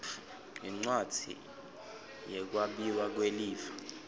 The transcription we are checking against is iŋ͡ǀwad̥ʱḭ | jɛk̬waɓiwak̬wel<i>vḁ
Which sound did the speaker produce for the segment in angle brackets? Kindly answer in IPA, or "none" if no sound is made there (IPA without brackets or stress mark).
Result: iː